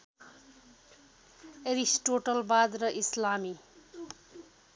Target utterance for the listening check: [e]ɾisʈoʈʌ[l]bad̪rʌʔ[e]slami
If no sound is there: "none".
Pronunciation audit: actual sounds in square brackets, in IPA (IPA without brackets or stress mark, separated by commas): e, l, i